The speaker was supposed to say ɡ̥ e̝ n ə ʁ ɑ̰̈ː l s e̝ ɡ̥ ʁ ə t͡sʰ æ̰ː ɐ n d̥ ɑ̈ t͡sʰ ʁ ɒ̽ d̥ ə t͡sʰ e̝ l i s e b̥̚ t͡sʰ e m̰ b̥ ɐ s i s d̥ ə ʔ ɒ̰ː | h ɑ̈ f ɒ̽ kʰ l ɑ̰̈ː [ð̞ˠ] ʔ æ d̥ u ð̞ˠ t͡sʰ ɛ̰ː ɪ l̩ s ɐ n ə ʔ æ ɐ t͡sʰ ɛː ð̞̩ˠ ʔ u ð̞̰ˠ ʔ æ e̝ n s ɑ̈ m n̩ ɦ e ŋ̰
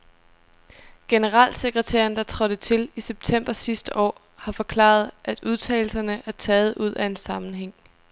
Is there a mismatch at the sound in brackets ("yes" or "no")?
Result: no